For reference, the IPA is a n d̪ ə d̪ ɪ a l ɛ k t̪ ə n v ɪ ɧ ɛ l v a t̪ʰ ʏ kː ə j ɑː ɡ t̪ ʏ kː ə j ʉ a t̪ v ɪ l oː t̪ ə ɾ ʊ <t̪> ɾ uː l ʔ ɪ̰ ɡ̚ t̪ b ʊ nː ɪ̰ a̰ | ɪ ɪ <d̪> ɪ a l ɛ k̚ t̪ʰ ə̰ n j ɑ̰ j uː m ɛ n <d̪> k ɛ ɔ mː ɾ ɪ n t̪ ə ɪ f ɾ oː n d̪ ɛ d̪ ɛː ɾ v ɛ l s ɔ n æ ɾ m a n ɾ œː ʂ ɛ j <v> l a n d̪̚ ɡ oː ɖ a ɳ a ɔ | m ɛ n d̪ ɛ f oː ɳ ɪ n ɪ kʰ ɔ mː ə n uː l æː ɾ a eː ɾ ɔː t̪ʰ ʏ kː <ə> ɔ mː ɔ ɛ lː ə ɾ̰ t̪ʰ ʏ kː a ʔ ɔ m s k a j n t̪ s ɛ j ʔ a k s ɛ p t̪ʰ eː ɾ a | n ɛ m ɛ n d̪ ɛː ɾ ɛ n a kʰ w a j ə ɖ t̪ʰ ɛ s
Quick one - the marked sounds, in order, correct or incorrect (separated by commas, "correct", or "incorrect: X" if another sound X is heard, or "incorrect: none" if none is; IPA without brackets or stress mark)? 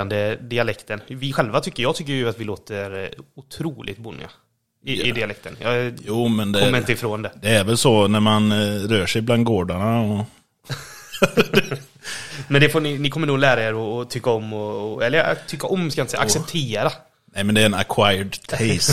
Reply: incorrect: t̪ʰ, correct, correct, incorrect: b, incorrect: a